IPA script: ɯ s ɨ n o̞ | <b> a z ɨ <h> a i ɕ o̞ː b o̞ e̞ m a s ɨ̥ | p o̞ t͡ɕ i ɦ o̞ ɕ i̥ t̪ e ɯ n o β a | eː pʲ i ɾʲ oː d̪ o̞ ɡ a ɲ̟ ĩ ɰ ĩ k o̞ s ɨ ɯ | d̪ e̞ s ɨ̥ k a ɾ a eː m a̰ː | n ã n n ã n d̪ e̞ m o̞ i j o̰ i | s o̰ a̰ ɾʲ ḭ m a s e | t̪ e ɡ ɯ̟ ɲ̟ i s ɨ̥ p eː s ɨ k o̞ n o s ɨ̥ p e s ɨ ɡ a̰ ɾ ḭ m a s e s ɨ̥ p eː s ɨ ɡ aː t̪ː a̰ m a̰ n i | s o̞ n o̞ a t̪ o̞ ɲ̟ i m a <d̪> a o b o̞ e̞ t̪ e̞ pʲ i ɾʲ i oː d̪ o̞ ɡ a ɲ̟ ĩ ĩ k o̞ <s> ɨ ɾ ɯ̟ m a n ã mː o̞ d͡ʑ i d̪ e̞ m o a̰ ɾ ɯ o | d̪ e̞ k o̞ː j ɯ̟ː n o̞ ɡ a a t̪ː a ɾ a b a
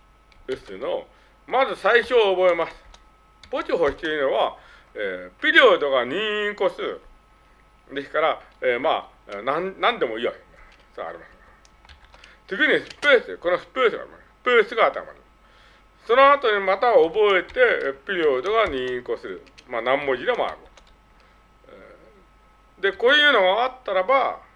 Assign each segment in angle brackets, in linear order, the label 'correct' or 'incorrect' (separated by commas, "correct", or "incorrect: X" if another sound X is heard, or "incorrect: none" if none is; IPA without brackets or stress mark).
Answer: incorrect: m, incorrect: s, incorrect: t̪, correct